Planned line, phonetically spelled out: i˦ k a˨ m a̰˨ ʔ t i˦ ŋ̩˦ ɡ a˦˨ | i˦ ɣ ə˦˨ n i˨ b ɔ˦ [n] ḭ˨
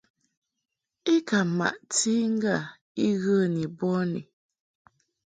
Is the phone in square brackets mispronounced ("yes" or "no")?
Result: no